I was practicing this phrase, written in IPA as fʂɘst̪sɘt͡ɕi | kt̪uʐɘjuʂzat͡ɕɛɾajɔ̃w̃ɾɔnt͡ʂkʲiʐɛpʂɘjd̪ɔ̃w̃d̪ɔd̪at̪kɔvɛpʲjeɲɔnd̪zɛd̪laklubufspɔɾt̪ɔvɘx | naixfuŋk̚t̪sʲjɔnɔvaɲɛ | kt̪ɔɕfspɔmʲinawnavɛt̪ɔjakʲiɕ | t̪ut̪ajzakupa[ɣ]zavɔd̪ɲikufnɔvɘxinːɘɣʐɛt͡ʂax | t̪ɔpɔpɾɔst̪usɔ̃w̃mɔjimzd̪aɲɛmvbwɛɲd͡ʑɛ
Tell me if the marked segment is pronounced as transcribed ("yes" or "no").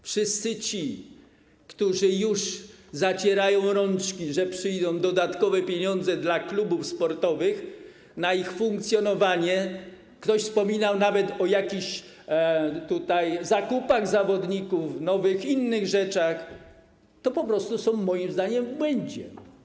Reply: yes